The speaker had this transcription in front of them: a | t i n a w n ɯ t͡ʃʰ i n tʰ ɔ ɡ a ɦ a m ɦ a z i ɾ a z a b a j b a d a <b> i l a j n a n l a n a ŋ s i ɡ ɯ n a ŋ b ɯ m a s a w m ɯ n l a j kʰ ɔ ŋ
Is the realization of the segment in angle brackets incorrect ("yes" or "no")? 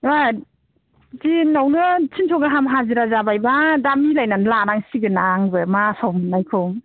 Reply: yes